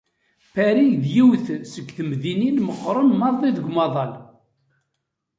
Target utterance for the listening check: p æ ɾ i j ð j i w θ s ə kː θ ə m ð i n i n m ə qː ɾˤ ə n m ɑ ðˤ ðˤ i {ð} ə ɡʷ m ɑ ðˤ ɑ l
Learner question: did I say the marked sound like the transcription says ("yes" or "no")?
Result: yes